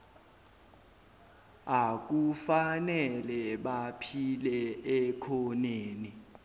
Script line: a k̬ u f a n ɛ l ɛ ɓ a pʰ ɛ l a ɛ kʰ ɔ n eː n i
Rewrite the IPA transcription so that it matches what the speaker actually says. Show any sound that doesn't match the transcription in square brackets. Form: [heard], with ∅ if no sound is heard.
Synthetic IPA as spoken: a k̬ u f a n ɛ l ɛ ɓ a pʰ [i] l [ɛ] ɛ kʰ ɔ n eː n i